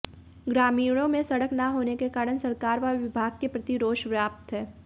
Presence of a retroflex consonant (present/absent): present